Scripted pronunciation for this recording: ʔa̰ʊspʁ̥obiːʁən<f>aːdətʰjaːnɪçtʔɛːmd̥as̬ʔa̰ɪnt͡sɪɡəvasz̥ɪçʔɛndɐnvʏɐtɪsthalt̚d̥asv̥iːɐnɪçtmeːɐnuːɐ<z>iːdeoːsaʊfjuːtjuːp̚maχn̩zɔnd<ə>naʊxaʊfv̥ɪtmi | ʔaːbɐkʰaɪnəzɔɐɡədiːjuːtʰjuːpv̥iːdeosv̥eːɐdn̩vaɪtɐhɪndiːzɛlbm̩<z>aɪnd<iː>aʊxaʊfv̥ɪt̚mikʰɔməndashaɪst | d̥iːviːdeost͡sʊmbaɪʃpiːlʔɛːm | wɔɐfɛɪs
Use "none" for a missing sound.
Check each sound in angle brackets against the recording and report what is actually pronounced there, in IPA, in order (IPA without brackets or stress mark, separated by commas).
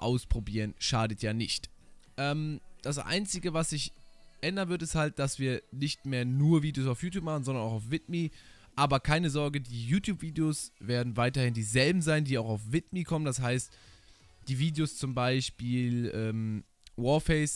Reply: ʃ, v, ɐ, z, iː